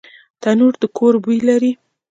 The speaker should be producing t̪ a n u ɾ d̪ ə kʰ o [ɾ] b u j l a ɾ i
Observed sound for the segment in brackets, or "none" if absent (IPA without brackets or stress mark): ɾ